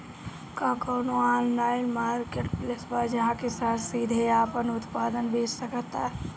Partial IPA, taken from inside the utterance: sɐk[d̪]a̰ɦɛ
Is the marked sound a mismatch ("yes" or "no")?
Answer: yes